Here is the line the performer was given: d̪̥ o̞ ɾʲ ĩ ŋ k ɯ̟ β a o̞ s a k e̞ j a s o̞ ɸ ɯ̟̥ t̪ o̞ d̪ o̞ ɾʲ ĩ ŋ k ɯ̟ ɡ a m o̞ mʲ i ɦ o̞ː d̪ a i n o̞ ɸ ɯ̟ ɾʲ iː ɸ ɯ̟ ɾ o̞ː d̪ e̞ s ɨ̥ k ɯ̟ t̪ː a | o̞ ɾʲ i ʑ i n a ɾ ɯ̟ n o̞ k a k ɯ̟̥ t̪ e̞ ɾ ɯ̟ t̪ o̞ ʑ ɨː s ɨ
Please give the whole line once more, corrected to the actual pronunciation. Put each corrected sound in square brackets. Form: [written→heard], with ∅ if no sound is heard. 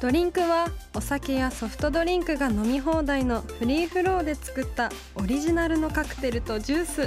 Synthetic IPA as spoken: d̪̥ o̞ ɾʲ ĩ ŋ k ɯ̟ β a o̞ s a k e̞ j a s o̞ ɸ ɯ̟̥ t̪ o̞ d̪ o̞ ɾʲ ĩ ŋ k ɯ̟ ɡ a [m→n] o̞ mʲ i ɦ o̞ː d̪ a i n o̞ ɸ ɯ̟ ɾʲ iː ɸ ɯ̟ ɾ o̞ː d̪ e̞ [s→t͡s] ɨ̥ k ɯ̟ t̪ː a | o̞ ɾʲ i ʑ i n a ɾ ɯ̟ n o̞ k a k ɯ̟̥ t̪ e̞ ɾ ɯ̟ t̪ o̞ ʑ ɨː s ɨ